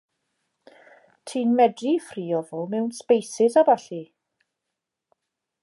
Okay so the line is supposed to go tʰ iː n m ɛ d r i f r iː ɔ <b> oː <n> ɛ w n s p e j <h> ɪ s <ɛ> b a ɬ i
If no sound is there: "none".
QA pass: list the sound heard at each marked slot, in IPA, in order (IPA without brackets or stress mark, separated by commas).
v, m, s, a